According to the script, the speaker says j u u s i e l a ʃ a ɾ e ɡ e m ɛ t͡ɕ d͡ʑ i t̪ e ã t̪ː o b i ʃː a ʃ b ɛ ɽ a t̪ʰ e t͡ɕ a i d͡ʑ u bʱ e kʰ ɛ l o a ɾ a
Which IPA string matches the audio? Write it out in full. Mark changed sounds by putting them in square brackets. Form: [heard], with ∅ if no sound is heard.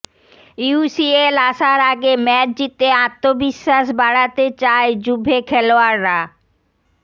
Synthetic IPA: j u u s i e l a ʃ a ɾ [a] ɡ e m ɛ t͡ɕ d͡ʑ i t̪ e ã t̪ː o b i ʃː a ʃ b [a] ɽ a [t̪] e t͡ɕ a [e] d͡ʑ u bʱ e kʰ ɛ l o a [ɾː] a